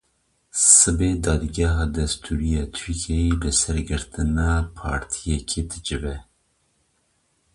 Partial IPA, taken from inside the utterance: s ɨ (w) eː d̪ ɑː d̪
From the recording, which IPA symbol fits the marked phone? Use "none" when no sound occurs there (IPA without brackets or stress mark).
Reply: b